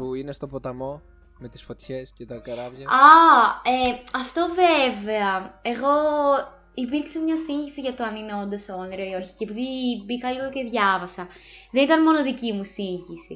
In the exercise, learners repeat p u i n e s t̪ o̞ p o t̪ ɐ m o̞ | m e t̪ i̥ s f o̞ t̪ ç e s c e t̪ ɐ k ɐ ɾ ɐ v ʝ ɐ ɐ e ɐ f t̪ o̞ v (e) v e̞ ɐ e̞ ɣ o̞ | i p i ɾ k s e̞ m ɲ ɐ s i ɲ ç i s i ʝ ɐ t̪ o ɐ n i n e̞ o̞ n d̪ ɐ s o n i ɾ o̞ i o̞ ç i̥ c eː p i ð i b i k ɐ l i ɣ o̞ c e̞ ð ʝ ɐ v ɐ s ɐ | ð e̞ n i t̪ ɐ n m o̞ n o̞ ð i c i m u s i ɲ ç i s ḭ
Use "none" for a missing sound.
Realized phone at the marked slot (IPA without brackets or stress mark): e